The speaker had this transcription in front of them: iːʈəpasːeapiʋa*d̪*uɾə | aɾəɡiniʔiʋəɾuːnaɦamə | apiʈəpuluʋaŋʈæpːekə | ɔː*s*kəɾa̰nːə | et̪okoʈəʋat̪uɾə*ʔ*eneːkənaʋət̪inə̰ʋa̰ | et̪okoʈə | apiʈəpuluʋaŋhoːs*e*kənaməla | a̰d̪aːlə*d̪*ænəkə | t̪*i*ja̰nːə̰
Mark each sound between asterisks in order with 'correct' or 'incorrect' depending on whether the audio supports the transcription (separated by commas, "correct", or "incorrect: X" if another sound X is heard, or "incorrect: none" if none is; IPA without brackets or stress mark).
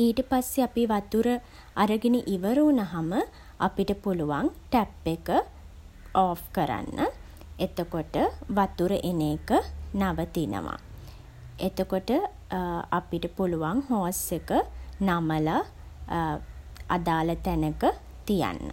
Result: incorrect: t̪, incorrect: f, correct, correct, incorrect: t̪, correct